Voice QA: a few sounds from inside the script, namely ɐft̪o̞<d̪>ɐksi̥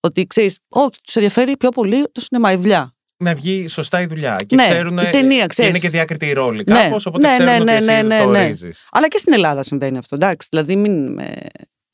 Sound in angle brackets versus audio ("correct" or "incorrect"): correct